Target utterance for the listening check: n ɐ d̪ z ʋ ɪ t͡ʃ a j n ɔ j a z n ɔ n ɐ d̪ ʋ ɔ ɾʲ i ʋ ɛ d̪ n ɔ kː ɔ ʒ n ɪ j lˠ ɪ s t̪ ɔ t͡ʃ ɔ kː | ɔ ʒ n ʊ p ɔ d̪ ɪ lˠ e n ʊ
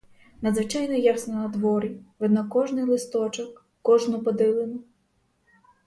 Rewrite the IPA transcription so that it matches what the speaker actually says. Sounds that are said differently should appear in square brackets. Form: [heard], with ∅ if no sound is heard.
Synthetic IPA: n ɐ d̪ z ʋ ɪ t͡ʃ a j n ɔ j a [s] n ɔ n ɐ d̪ ʋ ɔ ɾʲ i ʋ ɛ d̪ n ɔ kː ɔ ʒ n ɪ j lˠ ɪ s t̪ ɔ t͡ʃ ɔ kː | ɔ ʒ n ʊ p ɔ d̪ ɪ lˠ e n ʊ